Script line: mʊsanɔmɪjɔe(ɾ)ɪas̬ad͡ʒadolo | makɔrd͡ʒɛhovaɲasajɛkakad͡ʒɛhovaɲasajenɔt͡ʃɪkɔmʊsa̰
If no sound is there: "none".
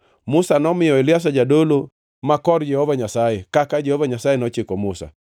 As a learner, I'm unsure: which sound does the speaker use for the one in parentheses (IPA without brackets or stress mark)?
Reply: l